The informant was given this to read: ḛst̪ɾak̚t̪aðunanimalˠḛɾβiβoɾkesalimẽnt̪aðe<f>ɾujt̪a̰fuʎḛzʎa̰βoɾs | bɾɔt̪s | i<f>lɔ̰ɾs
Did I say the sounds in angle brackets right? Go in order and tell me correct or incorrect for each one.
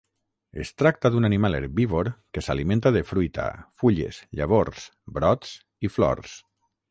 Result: correct, correct

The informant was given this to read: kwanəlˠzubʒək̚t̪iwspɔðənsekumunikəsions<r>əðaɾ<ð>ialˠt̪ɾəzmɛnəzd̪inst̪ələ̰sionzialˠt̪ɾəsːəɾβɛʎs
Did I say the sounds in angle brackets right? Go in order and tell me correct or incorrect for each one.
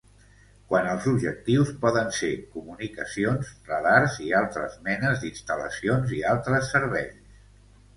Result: correct, incorrect: z

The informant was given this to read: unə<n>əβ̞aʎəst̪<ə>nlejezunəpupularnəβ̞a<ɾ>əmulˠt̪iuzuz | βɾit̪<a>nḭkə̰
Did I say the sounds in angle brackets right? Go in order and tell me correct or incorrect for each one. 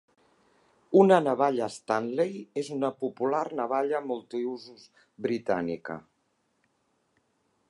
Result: correct, incorrect: a, incorrect: ʎ, correct

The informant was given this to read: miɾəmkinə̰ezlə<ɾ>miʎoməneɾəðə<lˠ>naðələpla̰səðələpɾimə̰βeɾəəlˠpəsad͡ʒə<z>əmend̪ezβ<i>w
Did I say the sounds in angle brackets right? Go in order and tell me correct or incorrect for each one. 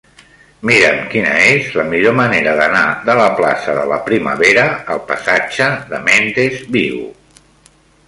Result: incorrect: none, incorrect: none, incorrect: ð, correct

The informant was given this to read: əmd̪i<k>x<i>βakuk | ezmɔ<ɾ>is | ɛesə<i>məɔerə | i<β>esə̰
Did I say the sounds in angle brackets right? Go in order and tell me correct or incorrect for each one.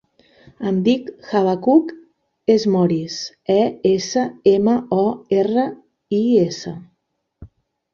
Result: correct, incorrect: a, correct, incorrect: e, incorrect: none

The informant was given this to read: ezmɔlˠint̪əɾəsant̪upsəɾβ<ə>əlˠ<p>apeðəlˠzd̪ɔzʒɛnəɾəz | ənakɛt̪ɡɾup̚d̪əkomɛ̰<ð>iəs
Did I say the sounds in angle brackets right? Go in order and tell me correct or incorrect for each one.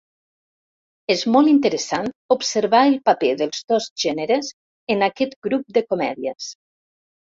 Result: incorrect: a, correct, correct

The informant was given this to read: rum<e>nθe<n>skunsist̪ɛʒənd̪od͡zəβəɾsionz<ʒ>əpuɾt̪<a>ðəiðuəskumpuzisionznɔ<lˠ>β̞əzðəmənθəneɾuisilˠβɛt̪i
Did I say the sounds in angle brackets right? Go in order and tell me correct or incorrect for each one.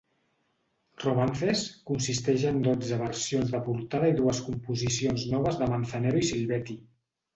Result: incorrect: a, incorrect: none, incorrect: ð, correct, incorrect: none

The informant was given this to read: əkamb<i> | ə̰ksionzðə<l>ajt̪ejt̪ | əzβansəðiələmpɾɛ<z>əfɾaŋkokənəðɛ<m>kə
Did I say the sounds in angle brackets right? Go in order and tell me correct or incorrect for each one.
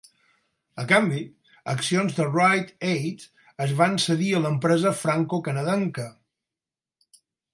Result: correct, incorrect: r, correct, incorrect: ŋ

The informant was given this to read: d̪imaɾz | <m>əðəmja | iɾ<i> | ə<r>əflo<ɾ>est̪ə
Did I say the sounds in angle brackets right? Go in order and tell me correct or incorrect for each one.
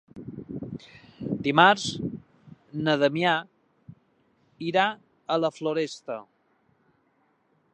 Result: incorrect: n, incorrect: a, incorrect: l, correct

